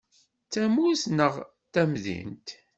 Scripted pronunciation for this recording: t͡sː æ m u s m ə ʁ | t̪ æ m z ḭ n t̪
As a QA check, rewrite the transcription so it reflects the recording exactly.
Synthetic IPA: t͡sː æ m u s n ə ʁ | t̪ æ m ð ḭ n t̪